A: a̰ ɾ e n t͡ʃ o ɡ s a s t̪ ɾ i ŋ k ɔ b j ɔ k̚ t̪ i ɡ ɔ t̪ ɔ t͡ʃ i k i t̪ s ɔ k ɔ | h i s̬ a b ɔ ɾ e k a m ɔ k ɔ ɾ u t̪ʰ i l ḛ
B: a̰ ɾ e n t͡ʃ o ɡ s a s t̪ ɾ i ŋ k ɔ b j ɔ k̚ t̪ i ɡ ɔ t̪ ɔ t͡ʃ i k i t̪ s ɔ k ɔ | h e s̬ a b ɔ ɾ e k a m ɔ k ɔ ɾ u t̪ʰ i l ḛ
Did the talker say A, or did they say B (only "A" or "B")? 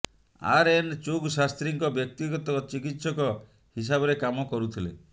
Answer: A